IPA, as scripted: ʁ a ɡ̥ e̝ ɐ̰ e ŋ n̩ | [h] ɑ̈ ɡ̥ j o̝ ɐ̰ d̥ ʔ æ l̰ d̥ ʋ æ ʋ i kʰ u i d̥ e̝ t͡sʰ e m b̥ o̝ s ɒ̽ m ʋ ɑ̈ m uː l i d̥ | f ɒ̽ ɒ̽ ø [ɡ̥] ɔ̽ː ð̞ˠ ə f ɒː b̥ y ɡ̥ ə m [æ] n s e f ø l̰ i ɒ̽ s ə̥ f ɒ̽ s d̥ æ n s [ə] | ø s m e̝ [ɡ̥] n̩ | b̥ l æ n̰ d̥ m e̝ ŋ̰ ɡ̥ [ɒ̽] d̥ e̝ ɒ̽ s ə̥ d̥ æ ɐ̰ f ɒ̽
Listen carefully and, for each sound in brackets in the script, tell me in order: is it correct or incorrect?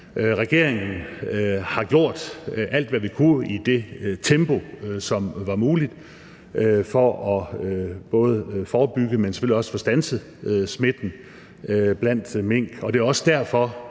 correct, incorrect: b̥, incorrect: e, correct, incorrect: d̥, correct

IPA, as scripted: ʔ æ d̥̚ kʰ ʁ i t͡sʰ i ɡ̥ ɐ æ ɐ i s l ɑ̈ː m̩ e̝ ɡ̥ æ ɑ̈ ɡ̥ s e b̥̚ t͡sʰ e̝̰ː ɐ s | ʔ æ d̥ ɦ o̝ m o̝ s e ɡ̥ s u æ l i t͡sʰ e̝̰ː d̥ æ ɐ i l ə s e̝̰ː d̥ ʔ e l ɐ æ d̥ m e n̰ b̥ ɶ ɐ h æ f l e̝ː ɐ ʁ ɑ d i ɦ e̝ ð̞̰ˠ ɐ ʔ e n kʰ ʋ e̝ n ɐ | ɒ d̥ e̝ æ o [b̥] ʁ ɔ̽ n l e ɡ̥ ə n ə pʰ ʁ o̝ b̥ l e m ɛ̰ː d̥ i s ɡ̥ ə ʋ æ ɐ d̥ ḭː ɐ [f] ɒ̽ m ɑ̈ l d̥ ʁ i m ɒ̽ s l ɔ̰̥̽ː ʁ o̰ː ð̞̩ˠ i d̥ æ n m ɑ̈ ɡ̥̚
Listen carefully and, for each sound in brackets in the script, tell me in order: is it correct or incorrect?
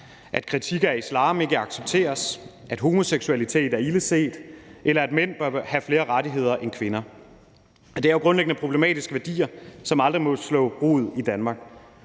incorrect: ɡ̥, incorrect: s

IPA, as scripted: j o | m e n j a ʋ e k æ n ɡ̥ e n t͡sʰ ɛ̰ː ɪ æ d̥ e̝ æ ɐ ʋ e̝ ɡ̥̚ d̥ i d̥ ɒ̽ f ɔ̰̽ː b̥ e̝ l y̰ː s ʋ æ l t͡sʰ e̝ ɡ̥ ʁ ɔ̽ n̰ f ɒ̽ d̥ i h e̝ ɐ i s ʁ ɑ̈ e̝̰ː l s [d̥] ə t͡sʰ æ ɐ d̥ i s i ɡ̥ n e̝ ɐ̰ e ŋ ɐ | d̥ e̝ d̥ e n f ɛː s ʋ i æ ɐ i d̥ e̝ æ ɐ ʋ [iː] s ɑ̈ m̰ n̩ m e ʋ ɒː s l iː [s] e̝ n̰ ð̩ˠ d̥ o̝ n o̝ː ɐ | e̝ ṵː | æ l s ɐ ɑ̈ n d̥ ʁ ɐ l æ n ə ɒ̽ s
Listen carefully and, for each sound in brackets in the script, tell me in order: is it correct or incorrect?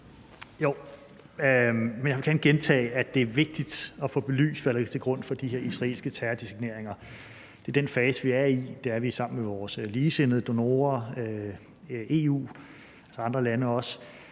incorrect: ɡ̥, incorrect: i, correct

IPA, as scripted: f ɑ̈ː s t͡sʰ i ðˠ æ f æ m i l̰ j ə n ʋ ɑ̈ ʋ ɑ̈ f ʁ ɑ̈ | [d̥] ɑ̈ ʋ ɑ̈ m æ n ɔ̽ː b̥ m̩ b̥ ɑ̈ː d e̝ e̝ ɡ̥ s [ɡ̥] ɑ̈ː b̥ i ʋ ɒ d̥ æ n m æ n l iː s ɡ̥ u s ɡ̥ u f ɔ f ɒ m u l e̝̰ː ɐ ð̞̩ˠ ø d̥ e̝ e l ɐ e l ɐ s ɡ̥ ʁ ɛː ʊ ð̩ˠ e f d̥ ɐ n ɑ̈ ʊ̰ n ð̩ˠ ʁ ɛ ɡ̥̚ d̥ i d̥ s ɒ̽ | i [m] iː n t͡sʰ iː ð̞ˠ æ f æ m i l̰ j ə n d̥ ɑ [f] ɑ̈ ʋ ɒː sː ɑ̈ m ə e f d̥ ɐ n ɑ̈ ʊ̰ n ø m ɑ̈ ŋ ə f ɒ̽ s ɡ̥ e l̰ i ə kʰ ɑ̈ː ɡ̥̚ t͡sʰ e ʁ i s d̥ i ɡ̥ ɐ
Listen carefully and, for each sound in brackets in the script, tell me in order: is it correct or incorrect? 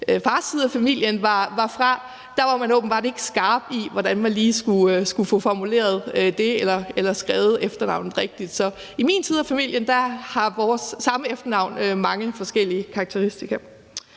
correct, correct, correct, incorrect: h

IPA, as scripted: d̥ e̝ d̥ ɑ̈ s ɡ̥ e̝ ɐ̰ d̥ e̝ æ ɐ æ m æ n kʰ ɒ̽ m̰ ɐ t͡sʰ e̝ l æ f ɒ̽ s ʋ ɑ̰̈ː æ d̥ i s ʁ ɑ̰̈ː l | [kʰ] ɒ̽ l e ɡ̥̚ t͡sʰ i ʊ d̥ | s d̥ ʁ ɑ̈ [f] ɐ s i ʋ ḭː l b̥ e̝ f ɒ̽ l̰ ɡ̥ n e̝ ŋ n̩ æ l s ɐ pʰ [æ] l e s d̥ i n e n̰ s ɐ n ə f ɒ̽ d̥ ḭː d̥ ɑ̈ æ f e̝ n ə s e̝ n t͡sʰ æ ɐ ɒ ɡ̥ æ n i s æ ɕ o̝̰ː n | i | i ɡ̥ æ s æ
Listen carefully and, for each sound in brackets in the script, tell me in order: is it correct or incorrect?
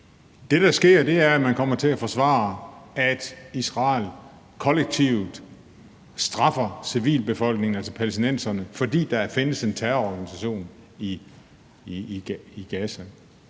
correct, correct, correct

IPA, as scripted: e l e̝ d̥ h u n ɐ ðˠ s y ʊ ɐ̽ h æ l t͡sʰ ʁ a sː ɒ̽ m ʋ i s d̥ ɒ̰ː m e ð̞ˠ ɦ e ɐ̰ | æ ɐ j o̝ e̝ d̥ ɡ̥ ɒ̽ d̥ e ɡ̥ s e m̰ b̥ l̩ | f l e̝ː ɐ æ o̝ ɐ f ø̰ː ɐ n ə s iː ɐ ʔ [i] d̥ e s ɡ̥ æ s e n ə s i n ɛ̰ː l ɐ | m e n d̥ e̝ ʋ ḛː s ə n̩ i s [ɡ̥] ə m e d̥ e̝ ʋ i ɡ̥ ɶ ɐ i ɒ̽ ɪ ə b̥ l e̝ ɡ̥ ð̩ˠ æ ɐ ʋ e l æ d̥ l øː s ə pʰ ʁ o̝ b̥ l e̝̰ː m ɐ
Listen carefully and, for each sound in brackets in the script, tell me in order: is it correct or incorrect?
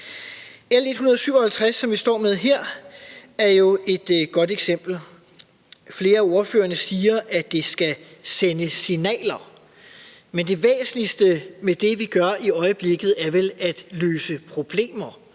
incorrect: æ, incorrect: d̥

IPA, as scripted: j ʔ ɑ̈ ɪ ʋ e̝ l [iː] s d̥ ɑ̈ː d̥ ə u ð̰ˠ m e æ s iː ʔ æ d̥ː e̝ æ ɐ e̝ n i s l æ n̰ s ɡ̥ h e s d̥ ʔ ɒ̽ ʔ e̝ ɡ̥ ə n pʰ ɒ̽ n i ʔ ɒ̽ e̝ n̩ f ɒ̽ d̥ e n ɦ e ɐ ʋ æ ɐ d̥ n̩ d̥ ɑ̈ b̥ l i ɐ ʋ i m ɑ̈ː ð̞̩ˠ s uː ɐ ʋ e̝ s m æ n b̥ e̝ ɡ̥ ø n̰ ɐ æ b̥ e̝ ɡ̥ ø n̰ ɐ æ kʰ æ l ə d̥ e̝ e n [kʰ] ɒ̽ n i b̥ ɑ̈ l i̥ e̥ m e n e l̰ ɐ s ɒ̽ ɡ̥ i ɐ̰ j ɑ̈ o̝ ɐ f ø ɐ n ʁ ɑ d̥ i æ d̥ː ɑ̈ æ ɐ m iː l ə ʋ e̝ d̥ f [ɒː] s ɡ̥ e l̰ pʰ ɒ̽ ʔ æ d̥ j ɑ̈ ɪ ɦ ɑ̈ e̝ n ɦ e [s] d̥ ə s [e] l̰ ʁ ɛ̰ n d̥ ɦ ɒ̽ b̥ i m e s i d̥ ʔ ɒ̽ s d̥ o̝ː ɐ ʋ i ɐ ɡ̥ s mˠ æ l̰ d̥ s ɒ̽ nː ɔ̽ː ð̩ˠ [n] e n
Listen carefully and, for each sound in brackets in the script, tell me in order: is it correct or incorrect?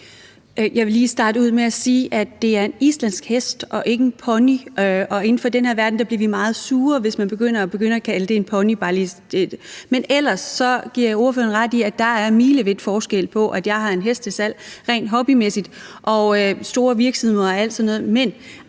correct, incorrect: pʰ, correct, correct, incorrect: æ, incorrect: m

